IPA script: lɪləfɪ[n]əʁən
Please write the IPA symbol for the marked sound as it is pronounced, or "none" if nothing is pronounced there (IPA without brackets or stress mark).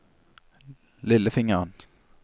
ŋ